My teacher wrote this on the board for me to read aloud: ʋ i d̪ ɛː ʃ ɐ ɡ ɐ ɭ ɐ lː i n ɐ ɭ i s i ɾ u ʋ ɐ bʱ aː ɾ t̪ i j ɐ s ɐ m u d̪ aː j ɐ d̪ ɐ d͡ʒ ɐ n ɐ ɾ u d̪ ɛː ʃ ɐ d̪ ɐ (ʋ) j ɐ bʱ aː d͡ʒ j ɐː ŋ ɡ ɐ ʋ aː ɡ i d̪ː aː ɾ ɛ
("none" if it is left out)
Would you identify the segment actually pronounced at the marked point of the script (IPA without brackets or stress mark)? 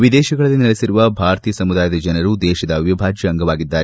ʋ